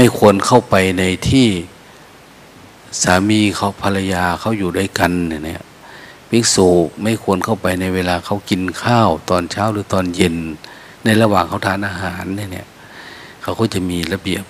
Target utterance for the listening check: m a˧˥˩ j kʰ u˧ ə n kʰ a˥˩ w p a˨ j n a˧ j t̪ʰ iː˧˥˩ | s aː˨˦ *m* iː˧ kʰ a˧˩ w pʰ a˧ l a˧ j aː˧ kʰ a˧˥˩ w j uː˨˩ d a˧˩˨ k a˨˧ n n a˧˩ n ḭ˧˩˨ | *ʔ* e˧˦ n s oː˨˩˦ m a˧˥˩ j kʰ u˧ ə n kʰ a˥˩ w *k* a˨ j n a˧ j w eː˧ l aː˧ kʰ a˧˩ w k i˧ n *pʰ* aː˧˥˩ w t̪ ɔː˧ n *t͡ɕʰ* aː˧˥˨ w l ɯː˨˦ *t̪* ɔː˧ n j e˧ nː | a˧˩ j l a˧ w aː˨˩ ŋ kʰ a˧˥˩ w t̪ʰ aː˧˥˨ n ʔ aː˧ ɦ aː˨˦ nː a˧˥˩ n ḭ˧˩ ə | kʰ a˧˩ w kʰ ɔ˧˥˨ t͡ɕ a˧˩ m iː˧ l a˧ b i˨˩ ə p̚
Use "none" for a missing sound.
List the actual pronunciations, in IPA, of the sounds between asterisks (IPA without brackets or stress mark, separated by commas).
m, p, p, kʰ, t͡ɕʰ, t̪